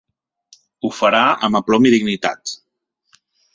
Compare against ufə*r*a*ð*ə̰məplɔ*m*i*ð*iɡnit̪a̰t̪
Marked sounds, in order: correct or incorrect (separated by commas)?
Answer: incorrect, incorrect, correct, correct